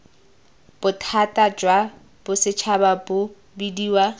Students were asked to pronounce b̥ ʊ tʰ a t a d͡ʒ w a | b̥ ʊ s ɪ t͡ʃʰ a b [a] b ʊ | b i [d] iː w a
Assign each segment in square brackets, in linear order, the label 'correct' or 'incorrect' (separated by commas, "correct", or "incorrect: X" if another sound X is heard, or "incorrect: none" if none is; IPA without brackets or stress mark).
correct, correct